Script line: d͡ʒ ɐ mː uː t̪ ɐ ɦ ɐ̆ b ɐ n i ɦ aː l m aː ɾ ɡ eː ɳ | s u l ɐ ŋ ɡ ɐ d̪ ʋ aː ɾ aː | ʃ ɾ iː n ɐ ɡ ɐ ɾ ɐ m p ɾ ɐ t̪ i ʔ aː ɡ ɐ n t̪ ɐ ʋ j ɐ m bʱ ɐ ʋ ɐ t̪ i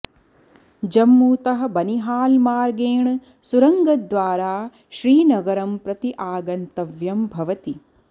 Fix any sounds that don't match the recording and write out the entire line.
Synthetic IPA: d͡ʒ ɐ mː uː t̪ ɐ ɦ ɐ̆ b ɐ n i ɦ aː l m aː ɾ ɡ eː ɳ | s u ɾ ɐ ŋ ɡ ɐ d̪ ʋ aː ɾ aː | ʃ ɾ iː n ɐ ɡ ɐ ɾ ɐ m p ɾ ɐ t̪ i ʔ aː ɡ ɐ n t̪ ɐ ʋ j ɐ m bʱ ɐ ʋ ɐ t̪ i